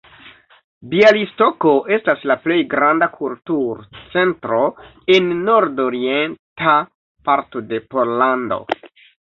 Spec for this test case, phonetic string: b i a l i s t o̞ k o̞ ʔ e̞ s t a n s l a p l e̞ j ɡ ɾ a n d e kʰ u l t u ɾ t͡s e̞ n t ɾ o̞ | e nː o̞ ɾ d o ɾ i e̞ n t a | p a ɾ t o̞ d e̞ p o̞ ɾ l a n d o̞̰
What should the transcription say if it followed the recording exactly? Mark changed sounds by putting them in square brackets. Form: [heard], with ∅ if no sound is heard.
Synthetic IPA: b i a l i s t o̞ k o̞ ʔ e̞ s t a [∅] s l a p l e̞ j ɡ ɾ a n d [a] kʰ u l t u ɾ t͡s e̞ n t ɾ o̞ | e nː o̞ ɾ d o ɾ i e̞ n t a | p a ɾ t o̞ d e̞ p o̞ ɾ l a n d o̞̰

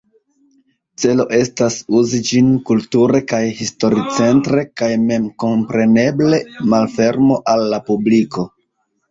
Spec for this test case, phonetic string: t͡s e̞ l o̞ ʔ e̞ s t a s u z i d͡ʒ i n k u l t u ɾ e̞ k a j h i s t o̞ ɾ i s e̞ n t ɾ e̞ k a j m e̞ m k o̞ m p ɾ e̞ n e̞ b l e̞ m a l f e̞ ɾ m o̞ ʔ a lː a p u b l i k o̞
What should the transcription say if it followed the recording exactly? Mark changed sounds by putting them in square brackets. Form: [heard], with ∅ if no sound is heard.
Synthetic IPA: t͡s e̞ l o̞ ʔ e̞ s t a s u z i d͡ʒ i n k u l t u ɾ e̞ k a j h i s t o̞ ɾ i [t͡s] e̞ n t ɾ e̞ k a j m e̞ m k o̞ m p ɾ e̞ n e̞ b l e̞ m a l f e̞ ɾ m o̞ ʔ a lː a p u b l i k o̞

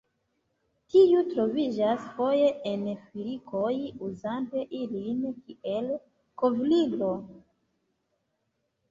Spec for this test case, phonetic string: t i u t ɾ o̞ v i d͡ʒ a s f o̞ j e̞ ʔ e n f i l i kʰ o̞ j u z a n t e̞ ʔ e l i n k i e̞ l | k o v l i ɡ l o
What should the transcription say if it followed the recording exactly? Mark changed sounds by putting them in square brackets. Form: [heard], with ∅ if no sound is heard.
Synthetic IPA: t i u t ɾ o̞ v i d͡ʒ a s f o̞ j e̞ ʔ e n f i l i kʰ o̞ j u z a n t e̞ ʔ [i] l i n k i e̞ l | k o v l i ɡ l o

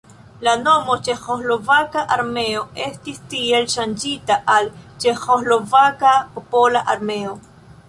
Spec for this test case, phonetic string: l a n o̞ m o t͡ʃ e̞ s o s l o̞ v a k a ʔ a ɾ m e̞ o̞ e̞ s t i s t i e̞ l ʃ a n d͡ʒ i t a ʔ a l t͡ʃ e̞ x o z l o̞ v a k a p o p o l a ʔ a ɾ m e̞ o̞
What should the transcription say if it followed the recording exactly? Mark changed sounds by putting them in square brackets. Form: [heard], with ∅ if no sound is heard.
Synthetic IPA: l a n o̞ m o t͡ʃ e̞ [x] o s l o̞ v a k a ʔ a ɾ m e̞ o̞ e̞ s t i s t i e̞ l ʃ a n d͡ʒ i t a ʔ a l t͡ʃ e̞ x o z l o̞ v a k a p o p o l a ʔ a ɾ m e̞ o̞

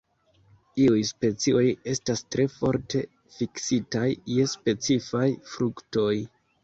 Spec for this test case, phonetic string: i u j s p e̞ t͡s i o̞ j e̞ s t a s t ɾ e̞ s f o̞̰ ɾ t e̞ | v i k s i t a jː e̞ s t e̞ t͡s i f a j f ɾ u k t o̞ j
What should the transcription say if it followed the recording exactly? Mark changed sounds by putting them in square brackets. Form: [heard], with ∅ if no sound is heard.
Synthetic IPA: i u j s p e̞ t͡s i o̞ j e̞ s t a s t ɾ e̞ [∅] f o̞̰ ɾ t e̞ | [f] i k s i t a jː e̞ s [p] e̞ t͡s i f a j f ɾ u k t o̞ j

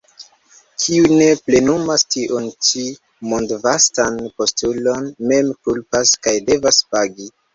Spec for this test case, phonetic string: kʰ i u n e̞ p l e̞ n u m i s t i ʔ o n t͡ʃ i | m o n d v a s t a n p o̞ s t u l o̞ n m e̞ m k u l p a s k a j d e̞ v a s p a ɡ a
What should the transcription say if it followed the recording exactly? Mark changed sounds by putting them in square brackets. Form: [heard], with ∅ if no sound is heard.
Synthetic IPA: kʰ i u n e̞ p l e̞ n u m [a] s t i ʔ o n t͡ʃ i | m o n d v a s t a n p o̞ s t u l o̞ n m e̞ m k u l p a s k a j d e̞ v a s p a ɡ [i]

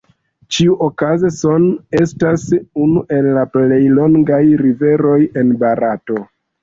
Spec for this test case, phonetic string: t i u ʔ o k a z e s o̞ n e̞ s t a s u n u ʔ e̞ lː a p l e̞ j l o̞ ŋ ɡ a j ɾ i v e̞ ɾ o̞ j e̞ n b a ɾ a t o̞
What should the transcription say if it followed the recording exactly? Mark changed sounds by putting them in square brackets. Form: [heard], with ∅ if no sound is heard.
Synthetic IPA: [t͡ʃ] i u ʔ o k a z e s o̞ n e̞ s t a s u n u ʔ e̞ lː a p l e̞ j l o̞ ŋ ɡ a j ɾ i v e̞ ɾ o̞ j e̞ n b a ɾ a t o̞

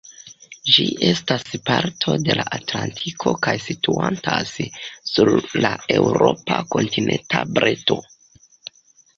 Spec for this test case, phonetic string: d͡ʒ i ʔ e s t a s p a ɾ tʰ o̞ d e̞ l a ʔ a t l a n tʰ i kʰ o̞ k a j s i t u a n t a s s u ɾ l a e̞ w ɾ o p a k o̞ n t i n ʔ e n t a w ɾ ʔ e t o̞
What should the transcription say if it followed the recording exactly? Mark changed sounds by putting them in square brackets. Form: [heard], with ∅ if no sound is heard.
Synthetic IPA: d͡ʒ i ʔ e s t a s p a ɾ tʰ o̞ d e̞ l a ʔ a t l a n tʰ i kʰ o̞ k a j s i t u a n t a s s u ɾ l a e̞ w ɾ o p a k o̞ n t i n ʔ e n t a [b] ɾ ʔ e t o̞

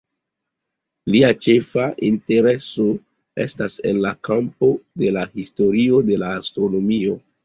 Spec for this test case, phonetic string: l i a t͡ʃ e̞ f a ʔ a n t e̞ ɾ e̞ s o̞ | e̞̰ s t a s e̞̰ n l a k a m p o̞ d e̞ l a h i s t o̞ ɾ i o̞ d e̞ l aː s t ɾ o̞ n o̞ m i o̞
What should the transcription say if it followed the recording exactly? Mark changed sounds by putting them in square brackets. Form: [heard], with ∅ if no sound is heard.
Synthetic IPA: l i a t͡ʃ e̞ f a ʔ [i] n t e̞ ɾ e̞ s o̞ | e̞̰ s t a s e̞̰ n l a k a m p o̞ d e̞ l a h i s t o̞ ɾ i o̞ d e̞ l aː s t ɾ o̞ n o̞ m i o̞

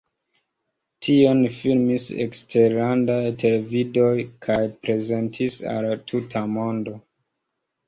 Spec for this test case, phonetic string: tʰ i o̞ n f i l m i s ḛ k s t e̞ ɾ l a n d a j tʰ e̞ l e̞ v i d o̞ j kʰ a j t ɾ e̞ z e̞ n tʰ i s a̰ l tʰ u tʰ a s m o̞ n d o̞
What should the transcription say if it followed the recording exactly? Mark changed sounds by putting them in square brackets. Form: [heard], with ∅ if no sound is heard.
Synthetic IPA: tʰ i o̞ n f i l m i s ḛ k s t e̞ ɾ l a n d a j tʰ e̞ l e̞ v i d o̞ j kʰ a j [p] ɾ e̞ z e̞ n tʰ i s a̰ l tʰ u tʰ a [∅] m o̞ n d o̞

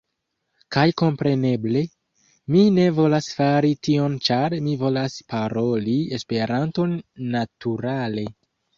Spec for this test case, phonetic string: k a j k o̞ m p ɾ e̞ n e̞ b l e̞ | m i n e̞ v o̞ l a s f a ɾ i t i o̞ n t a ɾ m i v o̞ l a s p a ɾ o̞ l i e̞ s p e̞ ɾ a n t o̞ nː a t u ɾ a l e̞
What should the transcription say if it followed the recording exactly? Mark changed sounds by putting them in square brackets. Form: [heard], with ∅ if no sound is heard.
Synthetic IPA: k a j k o̞ m p ɾ e̞ n e̞ b l e̞ | m i n e̞ v o̞ l a s f a ɾ i t i o̞ n [t͡ʃ] a ɾ m i v o̞ l a s p a ɾ o̞ l i e̞ s p e̞ ɾ a n t o̞ nː a t u ɾ a l e̞

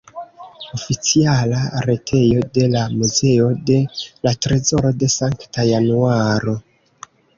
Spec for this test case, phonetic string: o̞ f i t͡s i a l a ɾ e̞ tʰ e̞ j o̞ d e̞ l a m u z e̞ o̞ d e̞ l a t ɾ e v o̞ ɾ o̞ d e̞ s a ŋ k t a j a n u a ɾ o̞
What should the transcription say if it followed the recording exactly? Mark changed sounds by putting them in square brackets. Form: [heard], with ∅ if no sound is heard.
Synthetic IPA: o̞ f i t͡s i a l a ɾ e̞ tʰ e̞ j o̞ d e̞ l a m u z e̞ o̞ d e̞ l a t ɾ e [z] o̞ ɾ o̞ d e̞ s a ŋ k t a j a n u a ɾ o̞

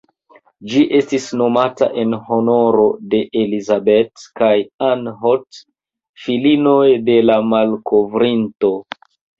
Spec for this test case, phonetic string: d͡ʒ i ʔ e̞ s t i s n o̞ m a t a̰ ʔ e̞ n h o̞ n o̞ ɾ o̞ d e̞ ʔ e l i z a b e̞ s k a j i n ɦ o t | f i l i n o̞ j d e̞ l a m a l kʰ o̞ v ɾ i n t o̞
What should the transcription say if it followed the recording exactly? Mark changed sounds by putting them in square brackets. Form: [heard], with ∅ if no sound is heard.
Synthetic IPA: d͡ʒ i ʔ e̞ s t i s n o̞ m a t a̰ ʔ e̞ n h o̞ n o̞ ɾ o̞ d e̞ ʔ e l i z a b e̞ [t] k a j [a] n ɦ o t | f i l i n o̞ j d e̞ l a m a l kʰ o̞ v ɾ i n t o̞

